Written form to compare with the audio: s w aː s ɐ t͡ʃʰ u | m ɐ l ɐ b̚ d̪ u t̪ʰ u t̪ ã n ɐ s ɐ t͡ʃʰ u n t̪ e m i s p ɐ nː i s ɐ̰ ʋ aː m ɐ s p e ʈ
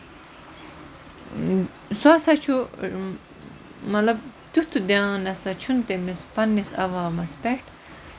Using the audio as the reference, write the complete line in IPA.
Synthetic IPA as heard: s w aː s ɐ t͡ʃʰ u | m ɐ l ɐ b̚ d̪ u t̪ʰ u d̪ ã n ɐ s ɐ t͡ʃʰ u n t̪ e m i s p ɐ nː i s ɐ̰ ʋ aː m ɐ s p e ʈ